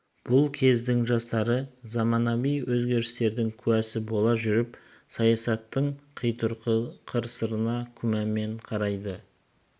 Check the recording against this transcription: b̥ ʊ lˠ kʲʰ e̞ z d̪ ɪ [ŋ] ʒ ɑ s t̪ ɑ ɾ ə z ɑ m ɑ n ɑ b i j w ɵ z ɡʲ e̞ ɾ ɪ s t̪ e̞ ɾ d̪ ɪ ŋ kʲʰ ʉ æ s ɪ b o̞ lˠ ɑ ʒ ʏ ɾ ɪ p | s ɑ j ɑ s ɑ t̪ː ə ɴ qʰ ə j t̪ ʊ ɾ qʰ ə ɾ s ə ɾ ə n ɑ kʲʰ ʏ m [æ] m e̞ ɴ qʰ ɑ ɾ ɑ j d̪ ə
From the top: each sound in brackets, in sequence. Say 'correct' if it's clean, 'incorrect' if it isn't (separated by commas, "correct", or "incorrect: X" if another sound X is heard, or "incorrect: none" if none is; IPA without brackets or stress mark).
correct, correct